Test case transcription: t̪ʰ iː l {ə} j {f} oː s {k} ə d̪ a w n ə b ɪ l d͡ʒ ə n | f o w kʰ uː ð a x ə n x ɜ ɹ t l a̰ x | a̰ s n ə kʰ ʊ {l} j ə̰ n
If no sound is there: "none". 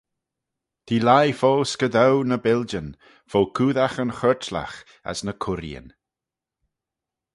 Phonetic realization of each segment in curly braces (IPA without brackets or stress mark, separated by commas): a, f, k, ɾ